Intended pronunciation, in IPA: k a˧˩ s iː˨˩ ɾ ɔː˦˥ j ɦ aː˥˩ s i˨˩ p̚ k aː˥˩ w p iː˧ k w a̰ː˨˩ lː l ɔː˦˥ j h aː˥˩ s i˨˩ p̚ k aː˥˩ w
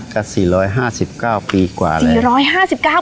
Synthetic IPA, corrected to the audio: k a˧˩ s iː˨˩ ɾ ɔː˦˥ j ɦ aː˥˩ s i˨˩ p̚ k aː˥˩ w p iː˧ k w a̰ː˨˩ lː ɾ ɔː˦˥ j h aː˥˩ s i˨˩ p̚ k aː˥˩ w